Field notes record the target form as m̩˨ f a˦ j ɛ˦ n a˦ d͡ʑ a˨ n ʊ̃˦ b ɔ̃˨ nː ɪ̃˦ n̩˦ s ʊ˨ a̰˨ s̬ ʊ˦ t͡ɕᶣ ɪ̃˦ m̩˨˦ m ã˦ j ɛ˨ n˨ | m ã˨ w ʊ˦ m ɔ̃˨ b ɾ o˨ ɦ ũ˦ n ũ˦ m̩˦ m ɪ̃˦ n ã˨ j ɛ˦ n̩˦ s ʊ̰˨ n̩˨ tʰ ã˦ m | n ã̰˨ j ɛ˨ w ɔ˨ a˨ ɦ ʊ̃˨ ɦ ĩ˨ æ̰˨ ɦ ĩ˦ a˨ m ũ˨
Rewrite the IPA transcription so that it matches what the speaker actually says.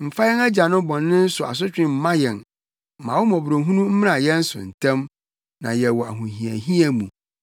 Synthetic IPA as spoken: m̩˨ f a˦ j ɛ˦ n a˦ d͡ʑ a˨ n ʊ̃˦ b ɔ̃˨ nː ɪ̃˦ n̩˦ s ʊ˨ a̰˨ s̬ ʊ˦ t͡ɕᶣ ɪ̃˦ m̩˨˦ m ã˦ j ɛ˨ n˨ | m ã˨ w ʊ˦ m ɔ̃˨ b ɾ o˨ ɦ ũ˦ n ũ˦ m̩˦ m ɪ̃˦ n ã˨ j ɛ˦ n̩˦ s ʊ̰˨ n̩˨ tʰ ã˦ m | n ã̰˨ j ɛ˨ w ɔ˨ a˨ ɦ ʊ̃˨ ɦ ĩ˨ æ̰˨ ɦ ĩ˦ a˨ m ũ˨